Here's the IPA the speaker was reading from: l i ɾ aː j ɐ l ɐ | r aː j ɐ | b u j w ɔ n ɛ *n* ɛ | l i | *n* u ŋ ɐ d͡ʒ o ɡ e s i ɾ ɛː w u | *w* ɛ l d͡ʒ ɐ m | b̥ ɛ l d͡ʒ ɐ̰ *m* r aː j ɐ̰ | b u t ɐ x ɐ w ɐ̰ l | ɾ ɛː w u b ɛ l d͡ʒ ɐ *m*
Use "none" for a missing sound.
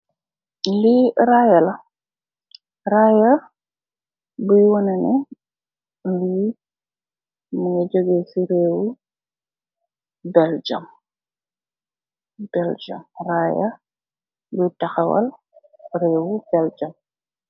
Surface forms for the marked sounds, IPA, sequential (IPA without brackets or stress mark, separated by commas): n, m, b, m, m